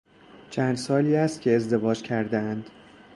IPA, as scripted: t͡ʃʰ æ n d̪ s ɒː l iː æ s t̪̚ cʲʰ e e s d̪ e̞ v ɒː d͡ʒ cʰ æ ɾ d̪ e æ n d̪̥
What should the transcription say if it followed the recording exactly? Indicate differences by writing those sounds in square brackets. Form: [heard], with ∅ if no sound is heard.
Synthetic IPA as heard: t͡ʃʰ æ n d̪ s ɒː l iː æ s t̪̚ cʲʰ e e [z] d̪ e̞ v ɒː d͡ʒ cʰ æ ɾ d̪ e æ n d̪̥